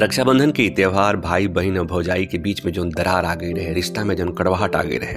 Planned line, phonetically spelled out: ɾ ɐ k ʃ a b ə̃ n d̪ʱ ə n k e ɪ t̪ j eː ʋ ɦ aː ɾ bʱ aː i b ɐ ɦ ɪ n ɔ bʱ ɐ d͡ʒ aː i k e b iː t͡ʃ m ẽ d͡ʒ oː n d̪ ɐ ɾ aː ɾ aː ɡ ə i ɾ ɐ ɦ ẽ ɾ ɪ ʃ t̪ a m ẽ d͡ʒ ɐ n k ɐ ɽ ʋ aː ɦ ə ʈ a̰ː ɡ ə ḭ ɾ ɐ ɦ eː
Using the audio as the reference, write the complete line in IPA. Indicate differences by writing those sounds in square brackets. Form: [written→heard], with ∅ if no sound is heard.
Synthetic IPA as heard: ɾ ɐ k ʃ a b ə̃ n d̪ʱ ə n k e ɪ t̪ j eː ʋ ɦ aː ɾ bʱ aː i b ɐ ɦ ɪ n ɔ bʱ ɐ d͡ʒ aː i k e b iː t͡ʃ m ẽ d͡ʒ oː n d̪ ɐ ɾ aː ɾ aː ɡ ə i ɾ ɐ ɦ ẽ ɾ ɪ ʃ t̪ a m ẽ d͡ʒ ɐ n k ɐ ɽ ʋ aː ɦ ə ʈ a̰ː ɡ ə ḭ ɾ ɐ ɦ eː